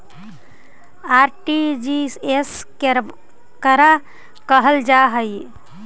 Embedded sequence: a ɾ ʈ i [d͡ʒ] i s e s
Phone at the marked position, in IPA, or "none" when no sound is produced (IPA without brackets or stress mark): d͡ʒ